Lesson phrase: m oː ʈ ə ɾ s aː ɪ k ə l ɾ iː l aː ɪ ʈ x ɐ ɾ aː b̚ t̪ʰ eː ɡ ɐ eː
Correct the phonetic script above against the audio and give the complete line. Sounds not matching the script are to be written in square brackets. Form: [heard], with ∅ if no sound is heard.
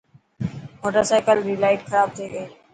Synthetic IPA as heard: m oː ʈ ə ɾ s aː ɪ k ə l ɾ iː l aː ɪ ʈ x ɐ ɾ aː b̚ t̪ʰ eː ɡ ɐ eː